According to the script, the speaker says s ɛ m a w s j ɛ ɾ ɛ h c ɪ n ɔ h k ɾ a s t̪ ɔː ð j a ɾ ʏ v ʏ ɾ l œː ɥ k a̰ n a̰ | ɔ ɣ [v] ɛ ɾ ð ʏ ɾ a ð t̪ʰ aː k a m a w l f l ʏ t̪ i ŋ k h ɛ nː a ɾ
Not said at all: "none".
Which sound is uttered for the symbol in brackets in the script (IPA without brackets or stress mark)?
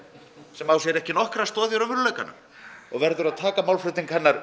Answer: v